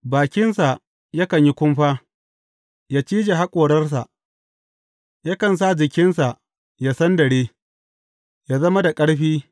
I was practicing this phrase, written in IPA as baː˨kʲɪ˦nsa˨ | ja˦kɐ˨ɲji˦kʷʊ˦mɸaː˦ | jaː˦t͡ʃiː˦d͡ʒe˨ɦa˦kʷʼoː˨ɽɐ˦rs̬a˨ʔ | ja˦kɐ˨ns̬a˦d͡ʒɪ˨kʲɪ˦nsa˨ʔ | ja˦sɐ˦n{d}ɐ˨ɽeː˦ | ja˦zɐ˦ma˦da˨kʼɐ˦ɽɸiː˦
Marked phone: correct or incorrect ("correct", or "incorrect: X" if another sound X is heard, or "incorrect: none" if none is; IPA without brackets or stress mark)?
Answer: correct